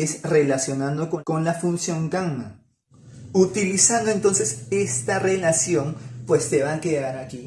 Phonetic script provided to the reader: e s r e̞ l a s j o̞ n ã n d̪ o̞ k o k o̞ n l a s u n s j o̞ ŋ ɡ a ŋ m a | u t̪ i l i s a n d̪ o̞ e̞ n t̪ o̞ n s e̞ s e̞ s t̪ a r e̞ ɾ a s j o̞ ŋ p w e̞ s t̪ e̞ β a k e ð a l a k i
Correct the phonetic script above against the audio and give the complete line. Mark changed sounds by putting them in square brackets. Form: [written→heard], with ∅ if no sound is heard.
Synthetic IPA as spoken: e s r e̞ l a s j o̞ n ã n d̪ o̞ k o k o̞ n l a [s→f] u n s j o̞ ŋ ɡ a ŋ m a | u t̪ i l i s a n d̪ o̞ e̞ n t̪ o̞ n s e̞ s e̞ s t̪ a r e̞ [ɾ→l] a s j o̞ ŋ p w e̞ s t̪ e̞ β a k e ð a [l→ɾ] a k i